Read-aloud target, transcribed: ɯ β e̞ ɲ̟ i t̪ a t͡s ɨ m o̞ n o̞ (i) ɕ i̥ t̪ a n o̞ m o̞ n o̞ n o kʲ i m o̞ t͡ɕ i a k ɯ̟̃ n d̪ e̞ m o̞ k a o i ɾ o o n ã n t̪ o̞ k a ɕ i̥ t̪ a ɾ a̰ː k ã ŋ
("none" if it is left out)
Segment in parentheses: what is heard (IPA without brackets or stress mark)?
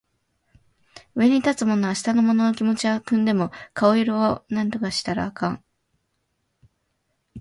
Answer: a